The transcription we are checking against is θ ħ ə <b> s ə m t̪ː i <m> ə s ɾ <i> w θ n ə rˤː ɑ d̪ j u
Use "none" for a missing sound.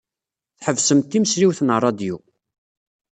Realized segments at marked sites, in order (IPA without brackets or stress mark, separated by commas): v, m, i